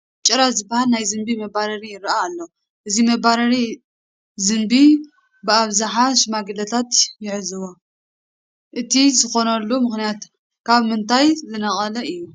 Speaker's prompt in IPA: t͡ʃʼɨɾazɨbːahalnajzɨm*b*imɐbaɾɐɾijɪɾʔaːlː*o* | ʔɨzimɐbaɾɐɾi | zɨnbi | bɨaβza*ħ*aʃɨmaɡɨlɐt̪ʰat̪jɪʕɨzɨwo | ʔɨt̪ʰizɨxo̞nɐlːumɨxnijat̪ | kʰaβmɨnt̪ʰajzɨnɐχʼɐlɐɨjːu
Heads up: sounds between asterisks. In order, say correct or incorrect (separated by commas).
correct, correct, correct